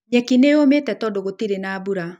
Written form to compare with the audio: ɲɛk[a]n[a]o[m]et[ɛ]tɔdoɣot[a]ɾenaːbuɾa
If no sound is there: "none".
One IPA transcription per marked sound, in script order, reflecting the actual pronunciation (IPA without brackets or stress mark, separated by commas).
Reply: i, e, m, ɛ, i